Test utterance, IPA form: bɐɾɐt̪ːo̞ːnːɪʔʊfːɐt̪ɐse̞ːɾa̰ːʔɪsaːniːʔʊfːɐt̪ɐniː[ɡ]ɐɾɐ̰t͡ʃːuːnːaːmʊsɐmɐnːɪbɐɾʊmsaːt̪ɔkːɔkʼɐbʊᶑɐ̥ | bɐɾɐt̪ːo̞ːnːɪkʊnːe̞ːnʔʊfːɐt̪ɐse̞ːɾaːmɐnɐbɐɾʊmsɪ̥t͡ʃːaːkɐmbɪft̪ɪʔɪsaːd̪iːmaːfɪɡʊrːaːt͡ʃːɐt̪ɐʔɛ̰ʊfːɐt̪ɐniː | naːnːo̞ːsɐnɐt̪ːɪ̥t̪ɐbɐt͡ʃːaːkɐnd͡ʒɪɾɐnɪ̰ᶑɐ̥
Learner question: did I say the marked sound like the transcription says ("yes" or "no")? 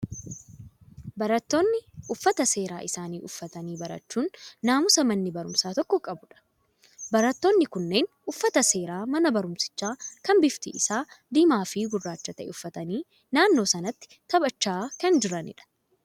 no